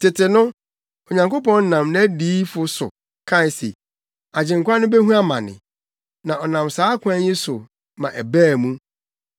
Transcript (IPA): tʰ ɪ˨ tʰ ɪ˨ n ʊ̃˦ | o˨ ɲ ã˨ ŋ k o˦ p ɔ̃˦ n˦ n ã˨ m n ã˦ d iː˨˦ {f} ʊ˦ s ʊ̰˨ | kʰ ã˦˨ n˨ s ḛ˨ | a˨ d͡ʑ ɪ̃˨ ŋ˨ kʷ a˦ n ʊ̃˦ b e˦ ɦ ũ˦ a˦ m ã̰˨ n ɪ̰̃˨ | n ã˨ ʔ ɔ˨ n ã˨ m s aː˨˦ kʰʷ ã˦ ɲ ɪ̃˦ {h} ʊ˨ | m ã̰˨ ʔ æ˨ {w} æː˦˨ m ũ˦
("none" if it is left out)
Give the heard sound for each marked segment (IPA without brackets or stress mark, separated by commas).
f, s, b